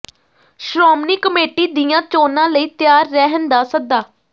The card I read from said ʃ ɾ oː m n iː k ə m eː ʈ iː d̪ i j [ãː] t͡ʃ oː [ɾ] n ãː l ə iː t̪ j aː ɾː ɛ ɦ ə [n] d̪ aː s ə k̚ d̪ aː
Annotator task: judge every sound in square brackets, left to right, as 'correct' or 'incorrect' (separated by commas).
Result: correct, incorrect, correct